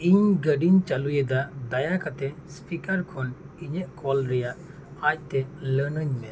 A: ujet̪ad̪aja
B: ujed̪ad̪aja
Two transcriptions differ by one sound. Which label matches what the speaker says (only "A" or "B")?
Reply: B